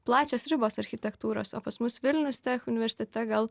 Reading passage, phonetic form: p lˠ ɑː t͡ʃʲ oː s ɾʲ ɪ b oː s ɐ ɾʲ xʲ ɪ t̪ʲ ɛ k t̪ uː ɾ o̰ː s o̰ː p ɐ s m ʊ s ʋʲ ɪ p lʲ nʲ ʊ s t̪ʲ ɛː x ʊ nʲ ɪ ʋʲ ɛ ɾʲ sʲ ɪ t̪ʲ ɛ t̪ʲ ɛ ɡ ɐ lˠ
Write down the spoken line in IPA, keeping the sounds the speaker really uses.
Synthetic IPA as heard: p lˠ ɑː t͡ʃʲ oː s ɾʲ ɪ b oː s ɐ ɾʲ xʲ ɪ t̪ʲ ɛ k t̪ uː ɾ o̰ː s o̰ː p ɐ s m ʊ s ʋʲ ɪ lʲ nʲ ʊ s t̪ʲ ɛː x ʊ nʲ ɪ ʋʲ ɛ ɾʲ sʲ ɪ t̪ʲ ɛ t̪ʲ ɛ ɡ ɐ lˠ